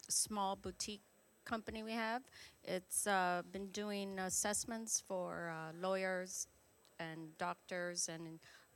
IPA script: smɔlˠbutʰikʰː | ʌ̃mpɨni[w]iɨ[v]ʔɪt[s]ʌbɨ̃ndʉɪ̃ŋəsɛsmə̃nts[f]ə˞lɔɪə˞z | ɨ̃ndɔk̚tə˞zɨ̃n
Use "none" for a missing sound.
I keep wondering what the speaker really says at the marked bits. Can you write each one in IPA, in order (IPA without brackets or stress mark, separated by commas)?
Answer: w, v, s, f